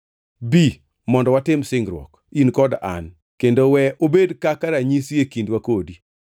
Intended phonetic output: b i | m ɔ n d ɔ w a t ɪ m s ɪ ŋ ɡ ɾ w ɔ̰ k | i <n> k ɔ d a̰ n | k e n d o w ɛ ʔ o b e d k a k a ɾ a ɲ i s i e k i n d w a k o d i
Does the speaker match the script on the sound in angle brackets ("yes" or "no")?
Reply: yes